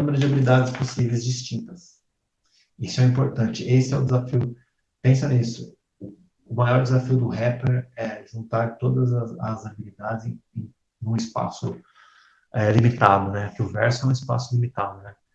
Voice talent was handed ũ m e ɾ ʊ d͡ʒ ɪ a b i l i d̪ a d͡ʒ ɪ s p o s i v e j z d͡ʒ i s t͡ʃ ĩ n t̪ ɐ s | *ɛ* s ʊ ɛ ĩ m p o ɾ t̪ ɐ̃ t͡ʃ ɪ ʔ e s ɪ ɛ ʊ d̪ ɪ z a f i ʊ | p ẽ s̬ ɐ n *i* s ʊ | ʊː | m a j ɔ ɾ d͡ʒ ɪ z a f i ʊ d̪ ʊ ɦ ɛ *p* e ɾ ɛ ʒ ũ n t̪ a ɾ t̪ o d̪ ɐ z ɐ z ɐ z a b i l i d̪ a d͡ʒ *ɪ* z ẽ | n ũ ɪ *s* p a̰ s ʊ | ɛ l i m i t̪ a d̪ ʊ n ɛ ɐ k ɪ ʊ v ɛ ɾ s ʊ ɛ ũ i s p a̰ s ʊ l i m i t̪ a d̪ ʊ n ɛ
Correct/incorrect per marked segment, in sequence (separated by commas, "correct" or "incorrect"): incorrect, correct, correct, correct, correct